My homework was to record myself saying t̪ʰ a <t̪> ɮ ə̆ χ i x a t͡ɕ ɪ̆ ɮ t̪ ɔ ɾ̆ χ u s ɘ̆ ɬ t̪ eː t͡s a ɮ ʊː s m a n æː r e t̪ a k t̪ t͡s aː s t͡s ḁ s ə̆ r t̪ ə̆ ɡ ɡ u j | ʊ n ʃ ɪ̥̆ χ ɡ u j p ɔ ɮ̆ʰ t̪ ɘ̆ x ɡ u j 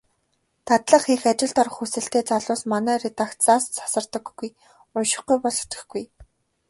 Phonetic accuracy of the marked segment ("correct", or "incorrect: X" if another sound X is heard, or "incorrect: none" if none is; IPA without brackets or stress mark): correct